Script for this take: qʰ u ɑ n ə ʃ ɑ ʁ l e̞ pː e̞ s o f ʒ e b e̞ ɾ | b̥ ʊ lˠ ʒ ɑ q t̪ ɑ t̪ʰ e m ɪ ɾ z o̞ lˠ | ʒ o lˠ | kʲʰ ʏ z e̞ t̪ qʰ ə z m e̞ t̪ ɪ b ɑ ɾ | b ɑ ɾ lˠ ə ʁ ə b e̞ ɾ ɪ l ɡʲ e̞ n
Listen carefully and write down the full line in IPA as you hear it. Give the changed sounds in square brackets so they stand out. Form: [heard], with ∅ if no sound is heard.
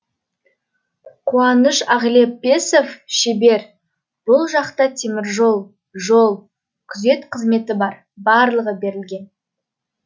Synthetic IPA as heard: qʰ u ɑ n ə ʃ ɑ ʁ l e̞ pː e̞ s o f [ʃ] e b e̞ ɾ | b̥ ʊ lˠ ʒ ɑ q t̪ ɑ t̪ʰ e m ɪ ɾ [ʒ] o̞ lˠ | ʒ o lˠ | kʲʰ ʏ z e̞ t̪ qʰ ə z m e̞ t̪ ɪ b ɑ ɾ | b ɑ ɾ lˠ ə ʁ ə b e̞ ɾ ɪ l ɡʲ e̞ n